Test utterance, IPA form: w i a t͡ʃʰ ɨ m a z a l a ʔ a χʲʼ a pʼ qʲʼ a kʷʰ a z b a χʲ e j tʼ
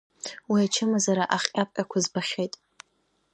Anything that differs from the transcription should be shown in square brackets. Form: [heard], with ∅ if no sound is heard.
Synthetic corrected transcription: w i a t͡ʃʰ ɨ m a z a [ɾ] a ʔ a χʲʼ a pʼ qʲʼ a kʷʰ a z b a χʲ e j tʼ